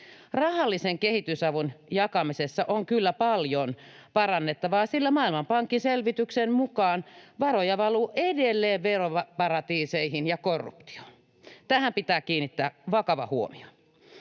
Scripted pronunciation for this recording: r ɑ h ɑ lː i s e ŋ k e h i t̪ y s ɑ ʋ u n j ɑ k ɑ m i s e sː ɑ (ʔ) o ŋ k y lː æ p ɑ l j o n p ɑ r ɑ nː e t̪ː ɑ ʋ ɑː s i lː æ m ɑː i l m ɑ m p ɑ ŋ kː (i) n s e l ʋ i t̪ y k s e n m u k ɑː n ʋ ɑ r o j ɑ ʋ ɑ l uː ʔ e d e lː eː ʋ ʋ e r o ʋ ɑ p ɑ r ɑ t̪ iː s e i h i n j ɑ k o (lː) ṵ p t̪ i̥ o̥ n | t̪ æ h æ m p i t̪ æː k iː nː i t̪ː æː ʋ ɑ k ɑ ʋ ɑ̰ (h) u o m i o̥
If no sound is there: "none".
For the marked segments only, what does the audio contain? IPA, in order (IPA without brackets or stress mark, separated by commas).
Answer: ʔ, i, rː, h